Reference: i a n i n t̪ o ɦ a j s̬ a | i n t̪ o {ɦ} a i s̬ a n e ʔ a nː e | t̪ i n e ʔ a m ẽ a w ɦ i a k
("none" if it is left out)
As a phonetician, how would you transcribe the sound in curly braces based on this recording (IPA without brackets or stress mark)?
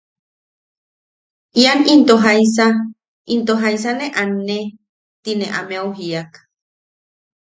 ɦ